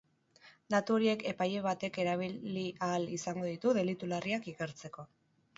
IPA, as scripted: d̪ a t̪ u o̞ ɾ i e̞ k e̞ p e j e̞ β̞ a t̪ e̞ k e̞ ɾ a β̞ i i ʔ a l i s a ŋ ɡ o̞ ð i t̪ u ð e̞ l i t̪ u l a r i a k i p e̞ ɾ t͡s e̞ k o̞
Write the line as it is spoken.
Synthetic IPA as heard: d̪ a t̪ u o̞ ɾ i e̞ k e̞ p a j e̞ β̞ a t̪ e̞ k e̞ ɾ a β̞ i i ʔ a l i s a ŋ ɡ o̞ ð i t̪ u ð e̞ l i t̪ u l a r i a k i k e̞ ɾ t͡s e̞ k o̞